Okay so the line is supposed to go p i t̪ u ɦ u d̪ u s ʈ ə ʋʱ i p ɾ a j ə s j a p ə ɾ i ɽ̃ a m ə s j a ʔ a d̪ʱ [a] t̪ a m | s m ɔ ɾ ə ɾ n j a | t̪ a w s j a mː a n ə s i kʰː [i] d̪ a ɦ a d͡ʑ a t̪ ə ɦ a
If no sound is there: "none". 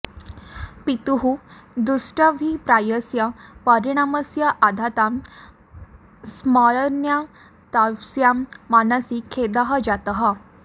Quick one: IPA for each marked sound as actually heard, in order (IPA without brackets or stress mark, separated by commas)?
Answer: a, e